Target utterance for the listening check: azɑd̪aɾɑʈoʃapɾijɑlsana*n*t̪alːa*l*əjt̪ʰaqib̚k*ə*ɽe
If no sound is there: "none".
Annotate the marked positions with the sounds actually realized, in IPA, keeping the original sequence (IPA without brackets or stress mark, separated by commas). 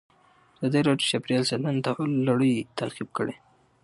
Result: n, ɽ, ə